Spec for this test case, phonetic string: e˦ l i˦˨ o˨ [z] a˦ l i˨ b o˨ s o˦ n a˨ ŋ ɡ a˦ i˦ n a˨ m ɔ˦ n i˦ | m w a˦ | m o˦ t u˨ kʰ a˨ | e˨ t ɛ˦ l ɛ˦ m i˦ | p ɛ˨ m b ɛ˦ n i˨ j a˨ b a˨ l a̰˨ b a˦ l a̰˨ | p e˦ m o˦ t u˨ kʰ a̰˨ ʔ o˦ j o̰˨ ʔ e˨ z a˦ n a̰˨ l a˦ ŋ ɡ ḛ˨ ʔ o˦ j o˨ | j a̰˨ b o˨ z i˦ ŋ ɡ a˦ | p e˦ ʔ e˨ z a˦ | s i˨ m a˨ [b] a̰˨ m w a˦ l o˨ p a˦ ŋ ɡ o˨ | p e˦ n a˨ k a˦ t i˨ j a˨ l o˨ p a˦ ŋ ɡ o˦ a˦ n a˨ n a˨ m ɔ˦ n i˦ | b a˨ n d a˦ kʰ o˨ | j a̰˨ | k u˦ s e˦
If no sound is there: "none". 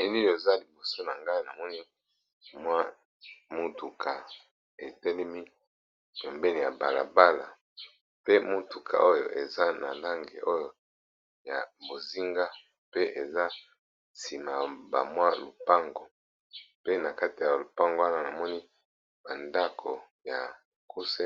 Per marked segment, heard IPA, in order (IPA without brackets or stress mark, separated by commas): z, b